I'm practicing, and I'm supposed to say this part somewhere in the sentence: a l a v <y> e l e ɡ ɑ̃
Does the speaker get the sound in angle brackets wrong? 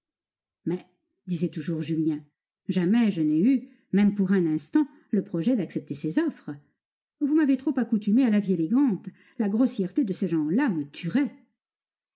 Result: yes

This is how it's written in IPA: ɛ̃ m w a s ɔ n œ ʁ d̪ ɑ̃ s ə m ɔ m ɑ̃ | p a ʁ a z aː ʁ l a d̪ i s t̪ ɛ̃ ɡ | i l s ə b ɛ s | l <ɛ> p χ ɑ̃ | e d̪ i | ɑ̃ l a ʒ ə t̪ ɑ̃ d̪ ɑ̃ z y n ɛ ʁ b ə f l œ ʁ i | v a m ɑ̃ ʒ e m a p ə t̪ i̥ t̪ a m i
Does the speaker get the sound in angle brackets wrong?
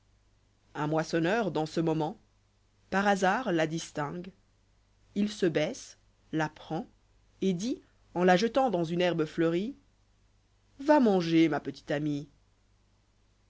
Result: yes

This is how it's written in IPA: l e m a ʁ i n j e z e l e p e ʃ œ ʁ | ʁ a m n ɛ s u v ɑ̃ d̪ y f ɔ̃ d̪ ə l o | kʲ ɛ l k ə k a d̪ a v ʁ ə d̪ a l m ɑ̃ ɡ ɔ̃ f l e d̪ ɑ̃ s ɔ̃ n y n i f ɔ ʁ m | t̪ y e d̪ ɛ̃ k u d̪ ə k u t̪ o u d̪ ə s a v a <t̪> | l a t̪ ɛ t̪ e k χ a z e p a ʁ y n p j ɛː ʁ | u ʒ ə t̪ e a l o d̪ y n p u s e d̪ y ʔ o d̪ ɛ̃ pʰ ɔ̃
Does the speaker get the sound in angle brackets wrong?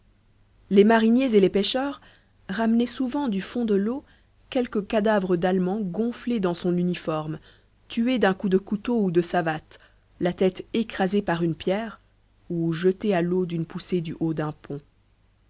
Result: no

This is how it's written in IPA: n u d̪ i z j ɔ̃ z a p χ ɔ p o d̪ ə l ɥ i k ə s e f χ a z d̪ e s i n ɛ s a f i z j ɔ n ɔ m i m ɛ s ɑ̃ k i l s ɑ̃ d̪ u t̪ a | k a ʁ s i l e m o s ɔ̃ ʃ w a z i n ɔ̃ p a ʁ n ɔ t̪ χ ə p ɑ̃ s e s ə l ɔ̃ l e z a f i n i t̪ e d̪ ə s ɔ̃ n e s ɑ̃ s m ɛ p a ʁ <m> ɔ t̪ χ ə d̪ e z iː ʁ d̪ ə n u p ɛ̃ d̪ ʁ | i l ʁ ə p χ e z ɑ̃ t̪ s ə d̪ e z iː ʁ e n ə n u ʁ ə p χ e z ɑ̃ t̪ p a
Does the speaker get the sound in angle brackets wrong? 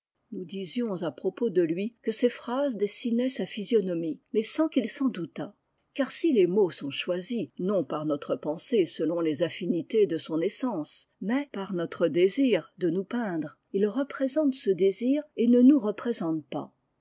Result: yes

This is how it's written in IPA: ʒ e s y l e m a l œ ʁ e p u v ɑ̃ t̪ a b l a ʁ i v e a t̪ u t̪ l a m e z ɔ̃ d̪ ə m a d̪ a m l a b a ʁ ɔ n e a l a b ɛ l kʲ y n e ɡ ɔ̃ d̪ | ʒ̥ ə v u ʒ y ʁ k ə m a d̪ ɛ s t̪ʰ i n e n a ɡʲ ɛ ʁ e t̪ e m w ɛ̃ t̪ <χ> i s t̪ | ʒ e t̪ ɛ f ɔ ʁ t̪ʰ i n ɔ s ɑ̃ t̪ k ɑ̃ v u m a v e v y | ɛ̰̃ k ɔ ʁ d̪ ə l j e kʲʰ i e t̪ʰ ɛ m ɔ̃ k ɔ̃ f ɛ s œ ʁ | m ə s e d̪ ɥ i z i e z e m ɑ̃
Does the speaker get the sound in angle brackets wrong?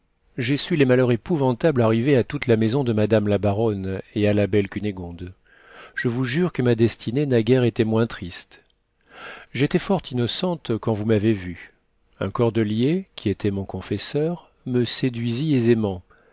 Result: no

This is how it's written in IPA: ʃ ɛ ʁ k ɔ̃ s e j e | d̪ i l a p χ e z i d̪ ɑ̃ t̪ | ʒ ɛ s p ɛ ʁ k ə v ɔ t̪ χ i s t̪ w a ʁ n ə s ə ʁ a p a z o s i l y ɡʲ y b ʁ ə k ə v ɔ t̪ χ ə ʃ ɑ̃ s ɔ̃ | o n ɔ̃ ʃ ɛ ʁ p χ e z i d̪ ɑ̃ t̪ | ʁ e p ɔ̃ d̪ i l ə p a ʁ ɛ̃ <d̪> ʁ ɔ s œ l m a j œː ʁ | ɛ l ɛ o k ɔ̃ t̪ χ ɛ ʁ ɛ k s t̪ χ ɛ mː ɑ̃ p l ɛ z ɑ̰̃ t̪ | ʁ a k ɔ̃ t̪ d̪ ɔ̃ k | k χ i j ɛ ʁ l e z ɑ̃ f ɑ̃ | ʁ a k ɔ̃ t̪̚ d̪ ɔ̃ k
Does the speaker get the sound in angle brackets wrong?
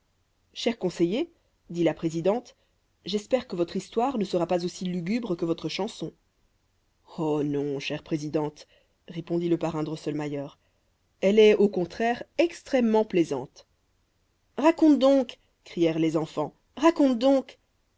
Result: no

